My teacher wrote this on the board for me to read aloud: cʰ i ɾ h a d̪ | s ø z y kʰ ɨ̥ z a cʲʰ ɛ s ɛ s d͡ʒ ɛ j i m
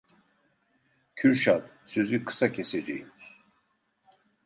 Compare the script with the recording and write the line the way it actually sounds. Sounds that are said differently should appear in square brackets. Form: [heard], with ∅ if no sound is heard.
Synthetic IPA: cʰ [y] ɾ [ʃ] a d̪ | s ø z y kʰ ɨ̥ [s] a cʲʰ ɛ s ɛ [∅] d͡ʒ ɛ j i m